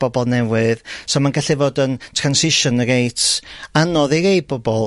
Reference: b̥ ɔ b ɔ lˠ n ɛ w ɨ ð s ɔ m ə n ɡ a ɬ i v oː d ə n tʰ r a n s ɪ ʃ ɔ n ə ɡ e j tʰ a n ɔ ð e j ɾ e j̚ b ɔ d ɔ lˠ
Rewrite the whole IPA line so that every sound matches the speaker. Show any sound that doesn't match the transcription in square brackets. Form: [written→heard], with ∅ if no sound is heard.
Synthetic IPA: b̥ ɔ b ɔ lˠ n ɛ w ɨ ð s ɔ m [ə→a] n ɡ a ɬ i v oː d ə n tʰ r a n s ɪ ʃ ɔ n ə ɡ e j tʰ a n ɔ ð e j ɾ e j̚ b ɔ [d→b] ɔ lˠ